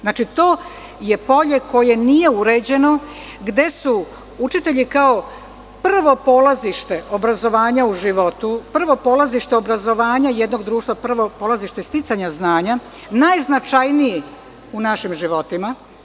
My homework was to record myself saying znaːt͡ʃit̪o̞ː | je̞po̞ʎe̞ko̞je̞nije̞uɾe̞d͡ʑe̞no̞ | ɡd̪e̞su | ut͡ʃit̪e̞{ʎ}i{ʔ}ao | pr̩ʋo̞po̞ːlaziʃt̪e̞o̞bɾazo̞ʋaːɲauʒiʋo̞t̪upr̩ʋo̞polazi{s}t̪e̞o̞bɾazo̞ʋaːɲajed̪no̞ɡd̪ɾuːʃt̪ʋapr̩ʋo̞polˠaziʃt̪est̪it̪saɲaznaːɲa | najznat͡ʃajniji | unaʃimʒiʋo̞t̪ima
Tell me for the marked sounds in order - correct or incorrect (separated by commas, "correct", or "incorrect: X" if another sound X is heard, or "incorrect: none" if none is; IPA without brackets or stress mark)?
correct, incorrect: k, incorrect: ʃ